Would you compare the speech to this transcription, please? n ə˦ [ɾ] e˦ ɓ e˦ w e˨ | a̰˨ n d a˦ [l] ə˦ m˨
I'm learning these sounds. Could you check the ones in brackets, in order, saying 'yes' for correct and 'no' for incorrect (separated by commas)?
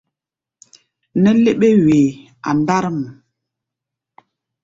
no, no